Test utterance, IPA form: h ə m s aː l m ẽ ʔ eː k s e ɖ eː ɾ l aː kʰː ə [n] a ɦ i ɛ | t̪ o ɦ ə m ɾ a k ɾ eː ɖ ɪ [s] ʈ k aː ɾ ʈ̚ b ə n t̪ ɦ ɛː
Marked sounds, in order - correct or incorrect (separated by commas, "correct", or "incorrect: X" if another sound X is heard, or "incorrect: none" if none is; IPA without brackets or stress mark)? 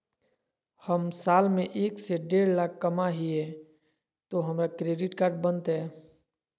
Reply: incorrect: m, incorrect: none